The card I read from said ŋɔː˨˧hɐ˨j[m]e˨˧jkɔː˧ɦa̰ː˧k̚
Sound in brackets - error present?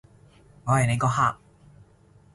yes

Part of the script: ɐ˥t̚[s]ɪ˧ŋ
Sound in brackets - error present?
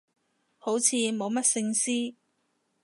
no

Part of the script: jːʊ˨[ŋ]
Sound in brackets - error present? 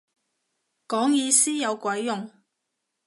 no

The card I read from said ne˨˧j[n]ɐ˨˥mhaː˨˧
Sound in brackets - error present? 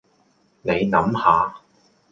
no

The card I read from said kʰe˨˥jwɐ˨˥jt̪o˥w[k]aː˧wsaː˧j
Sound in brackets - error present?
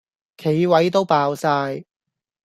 yes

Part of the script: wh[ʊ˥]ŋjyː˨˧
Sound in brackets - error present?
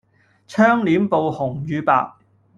yes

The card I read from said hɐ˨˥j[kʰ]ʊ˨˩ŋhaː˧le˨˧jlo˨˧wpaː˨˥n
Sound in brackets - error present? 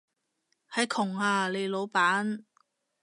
no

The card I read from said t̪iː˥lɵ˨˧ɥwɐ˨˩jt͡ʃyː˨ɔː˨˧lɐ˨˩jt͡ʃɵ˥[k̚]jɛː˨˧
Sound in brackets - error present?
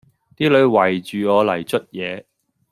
yes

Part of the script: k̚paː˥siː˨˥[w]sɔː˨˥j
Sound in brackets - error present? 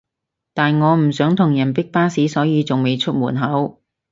yes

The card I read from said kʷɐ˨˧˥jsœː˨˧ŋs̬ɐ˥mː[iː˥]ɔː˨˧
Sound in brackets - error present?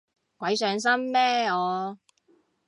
yes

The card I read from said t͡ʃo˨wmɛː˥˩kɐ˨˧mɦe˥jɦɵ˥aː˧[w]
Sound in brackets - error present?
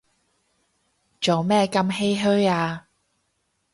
yes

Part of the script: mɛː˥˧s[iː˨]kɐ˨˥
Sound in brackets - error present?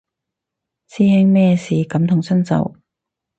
no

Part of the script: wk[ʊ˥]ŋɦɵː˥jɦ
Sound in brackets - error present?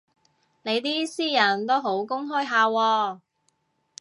no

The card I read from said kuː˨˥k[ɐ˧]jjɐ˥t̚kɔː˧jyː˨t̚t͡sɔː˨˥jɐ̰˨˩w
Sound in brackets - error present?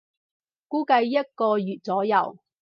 no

